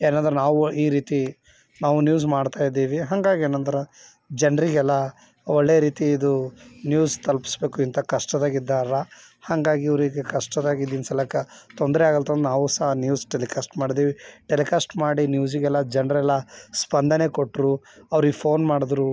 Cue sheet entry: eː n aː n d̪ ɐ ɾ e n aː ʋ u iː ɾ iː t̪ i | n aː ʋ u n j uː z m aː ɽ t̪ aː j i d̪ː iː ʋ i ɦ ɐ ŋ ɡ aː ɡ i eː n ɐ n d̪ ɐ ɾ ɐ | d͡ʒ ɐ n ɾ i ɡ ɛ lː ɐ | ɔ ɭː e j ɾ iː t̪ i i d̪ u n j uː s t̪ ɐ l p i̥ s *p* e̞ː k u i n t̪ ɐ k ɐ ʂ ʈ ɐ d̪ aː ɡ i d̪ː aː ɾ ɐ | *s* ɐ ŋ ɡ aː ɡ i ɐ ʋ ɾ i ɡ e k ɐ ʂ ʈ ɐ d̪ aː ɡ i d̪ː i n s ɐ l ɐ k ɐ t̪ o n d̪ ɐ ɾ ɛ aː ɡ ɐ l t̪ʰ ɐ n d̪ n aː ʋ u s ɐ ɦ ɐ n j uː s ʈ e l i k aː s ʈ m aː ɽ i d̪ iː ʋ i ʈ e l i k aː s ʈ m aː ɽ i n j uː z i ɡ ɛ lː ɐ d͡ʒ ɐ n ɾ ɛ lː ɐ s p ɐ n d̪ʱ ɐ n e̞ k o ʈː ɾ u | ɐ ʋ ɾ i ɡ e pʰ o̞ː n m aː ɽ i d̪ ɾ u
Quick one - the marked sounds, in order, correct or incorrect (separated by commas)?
incorrect, incorrect